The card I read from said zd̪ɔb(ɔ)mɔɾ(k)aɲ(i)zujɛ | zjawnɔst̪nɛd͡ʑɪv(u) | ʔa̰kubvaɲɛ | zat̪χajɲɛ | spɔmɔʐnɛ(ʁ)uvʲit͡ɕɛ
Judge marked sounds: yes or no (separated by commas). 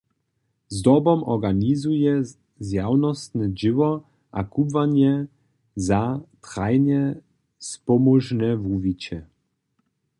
yes, no, yes, no, no